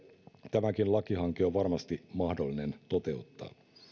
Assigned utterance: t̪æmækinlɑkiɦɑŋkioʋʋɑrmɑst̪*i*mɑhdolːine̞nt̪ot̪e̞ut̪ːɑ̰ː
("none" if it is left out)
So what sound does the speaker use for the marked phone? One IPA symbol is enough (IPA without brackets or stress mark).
i